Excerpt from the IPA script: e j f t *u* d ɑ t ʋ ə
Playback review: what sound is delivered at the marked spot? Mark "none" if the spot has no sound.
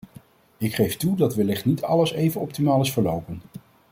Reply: u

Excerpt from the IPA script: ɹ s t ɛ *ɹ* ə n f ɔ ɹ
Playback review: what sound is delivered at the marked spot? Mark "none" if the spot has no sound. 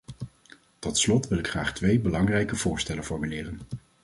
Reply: l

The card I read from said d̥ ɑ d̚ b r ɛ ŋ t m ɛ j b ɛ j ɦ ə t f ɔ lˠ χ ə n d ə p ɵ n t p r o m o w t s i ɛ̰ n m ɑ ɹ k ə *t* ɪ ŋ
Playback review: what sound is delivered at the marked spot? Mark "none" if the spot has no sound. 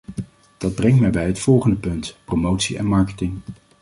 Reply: t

